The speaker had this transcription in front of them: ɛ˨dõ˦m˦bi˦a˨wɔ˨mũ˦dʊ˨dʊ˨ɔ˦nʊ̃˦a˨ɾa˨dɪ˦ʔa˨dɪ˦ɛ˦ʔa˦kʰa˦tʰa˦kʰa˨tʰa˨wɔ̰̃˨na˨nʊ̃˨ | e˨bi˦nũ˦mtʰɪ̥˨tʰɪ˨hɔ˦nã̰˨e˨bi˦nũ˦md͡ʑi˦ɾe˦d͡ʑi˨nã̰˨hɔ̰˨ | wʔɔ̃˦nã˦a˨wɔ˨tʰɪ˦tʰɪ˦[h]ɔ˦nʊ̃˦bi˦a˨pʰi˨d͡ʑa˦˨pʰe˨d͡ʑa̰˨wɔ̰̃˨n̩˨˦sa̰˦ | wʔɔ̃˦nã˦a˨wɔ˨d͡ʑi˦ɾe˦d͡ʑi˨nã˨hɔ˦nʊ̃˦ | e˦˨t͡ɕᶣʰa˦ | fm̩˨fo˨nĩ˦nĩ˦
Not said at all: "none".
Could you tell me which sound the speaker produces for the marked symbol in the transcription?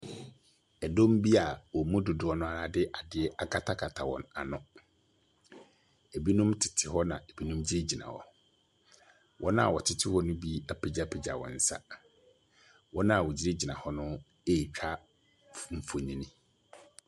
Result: h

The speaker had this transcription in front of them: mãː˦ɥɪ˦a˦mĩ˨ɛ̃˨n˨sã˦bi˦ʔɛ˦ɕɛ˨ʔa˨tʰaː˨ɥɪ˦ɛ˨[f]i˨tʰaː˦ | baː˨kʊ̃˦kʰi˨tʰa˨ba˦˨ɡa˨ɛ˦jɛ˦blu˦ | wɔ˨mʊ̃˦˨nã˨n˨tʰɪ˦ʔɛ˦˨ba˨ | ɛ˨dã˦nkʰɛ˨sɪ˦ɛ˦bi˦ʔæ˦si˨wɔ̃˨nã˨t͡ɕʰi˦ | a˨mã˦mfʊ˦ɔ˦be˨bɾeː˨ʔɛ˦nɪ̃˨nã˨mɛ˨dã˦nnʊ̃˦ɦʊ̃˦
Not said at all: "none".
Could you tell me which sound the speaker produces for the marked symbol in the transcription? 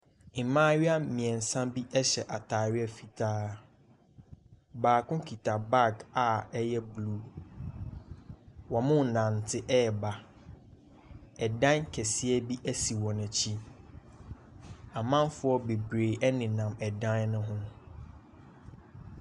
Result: f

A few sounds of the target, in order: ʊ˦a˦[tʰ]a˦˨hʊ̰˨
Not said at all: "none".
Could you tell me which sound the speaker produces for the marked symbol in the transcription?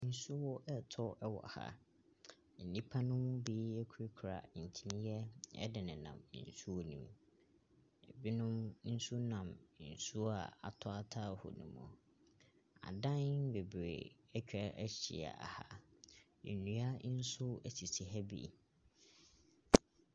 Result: tʰ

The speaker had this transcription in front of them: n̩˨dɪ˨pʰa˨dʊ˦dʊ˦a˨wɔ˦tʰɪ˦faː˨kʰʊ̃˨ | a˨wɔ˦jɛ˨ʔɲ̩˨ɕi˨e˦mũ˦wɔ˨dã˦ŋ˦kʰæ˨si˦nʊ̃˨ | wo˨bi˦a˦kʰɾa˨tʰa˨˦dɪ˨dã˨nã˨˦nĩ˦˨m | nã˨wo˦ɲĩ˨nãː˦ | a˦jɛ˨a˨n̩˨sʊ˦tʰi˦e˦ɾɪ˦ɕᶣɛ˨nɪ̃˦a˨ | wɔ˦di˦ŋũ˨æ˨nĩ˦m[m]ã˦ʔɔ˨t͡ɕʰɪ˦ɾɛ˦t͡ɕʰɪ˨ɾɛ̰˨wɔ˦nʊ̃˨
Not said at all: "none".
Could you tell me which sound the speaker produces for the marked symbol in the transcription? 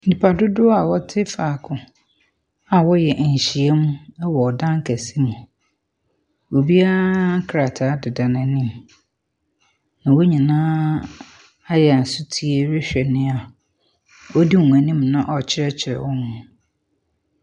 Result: n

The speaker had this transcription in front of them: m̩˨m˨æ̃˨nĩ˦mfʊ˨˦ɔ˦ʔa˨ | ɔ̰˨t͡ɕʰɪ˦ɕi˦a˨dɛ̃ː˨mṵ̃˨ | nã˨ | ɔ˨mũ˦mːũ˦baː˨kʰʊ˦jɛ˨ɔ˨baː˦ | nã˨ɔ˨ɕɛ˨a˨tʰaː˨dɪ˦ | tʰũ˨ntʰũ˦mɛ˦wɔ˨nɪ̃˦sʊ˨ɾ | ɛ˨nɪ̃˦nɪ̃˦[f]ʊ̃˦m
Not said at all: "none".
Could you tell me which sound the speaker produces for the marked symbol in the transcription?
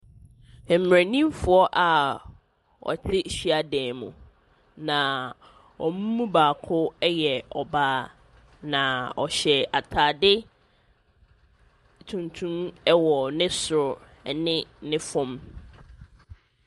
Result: f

